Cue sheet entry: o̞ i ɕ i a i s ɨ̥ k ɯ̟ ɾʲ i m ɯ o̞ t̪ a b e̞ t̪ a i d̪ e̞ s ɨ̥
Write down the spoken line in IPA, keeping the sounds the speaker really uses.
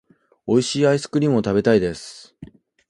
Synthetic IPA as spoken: o̞ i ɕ iː a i s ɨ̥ k ɯ̟ ɾʲ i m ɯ o̞ t̪ a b e̞ t̪ a i d̪ e̞ s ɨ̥